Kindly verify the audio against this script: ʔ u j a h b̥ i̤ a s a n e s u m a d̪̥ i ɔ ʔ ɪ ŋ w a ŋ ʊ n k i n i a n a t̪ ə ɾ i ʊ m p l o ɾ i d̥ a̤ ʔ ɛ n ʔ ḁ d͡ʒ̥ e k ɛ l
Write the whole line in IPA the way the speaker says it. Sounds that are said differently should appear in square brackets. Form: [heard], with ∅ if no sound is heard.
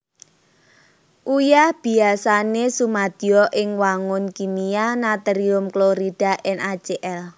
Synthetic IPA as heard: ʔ u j a h b̥ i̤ a s a n e s u m a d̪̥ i ɔ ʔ ɪ ŋ w a ŋ ʊ n k i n i a n a t̪ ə ɾ i ʊ m [k] l o ɾ i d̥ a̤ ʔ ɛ n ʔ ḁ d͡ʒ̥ e [ʔ] ɛ l